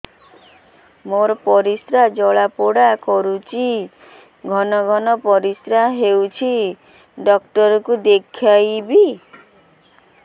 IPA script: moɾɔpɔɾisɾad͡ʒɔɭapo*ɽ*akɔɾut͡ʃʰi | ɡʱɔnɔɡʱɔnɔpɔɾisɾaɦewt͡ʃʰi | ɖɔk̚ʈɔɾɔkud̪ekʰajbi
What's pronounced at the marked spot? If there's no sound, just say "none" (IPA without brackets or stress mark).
ɽ